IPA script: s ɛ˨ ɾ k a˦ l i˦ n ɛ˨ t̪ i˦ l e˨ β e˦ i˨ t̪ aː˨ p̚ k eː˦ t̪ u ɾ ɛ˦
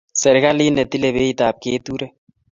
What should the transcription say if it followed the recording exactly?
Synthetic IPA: s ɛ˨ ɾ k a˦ l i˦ n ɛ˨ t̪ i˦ l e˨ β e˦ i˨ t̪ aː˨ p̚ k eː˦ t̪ u ɾ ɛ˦